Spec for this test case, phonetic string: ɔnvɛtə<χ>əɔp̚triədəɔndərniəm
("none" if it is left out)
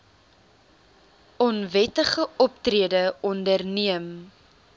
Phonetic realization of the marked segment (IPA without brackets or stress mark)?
χ